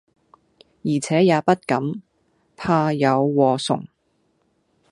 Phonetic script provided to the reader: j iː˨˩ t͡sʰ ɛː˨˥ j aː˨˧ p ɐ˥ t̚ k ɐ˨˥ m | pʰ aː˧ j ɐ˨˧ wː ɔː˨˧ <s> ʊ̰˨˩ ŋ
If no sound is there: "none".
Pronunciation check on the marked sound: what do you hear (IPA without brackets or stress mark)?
s